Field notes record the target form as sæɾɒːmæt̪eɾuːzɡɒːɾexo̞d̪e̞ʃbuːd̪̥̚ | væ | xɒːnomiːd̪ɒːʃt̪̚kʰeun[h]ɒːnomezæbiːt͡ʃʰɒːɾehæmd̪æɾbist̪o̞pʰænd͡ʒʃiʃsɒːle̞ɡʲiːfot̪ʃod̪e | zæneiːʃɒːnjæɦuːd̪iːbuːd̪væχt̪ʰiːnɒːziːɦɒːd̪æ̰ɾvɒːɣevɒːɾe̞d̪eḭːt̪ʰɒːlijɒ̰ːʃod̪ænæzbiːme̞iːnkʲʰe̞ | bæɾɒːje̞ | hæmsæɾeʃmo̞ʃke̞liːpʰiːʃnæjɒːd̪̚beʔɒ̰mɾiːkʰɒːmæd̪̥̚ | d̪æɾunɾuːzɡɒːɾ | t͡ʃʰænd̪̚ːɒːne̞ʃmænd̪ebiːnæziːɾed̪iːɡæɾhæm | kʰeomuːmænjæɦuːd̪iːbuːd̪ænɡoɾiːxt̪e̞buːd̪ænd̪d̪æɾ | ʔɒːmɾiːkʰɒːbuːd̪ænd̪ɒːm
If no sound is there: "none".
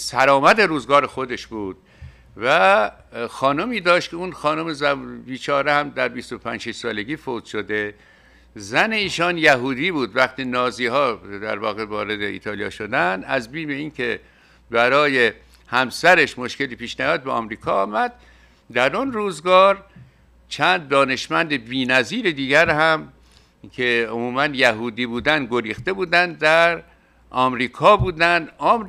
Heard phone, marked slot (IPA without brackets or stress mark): x